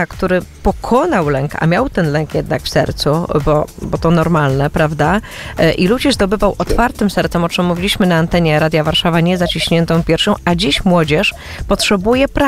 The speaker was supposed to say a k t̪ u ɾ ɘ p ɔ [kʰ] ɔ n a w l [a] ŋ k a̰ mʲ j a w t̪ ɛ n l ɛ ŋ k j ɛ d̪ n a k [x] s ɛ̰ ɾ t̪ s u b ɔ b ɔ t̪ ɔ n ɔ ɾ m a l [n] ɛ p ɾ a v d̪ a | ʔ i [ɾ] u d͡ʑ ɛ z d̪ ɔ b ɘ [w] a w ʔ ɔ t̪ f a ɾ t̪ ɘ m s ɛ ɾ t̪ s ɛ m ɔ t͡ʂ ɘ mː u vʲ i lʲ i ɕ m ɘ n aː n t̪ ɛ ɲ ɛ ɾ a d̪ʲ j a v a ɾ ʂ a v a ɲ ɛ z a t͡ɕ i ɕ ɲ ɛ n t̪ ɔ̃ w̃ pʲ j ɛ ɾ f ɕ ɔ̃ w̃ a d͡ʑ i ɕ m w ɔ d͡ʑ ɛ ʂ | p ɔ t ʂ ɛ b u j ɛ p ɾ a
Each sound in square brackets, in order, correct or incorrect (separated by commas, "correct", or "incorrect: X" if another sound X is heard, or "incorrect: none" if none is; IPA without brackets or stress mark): correct, incorrect: ɛ, incorrect: f, correct, incorrect: l, incorrect: v